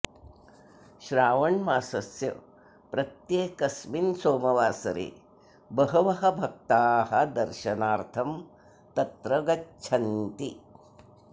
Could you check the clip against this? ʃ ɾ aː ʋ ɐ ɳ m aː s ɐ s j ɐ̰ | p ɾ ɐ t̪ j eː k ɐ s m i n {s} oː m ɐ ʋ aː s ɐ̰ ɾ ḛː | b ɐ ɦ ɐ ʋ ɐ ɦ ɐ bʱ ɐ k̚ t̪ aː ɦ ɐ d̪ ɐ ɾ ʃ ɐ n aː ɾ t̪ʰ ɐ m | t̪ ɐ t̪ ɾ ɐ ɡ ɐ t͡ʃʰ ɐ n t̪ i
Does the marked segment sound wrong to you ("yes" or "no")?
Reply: no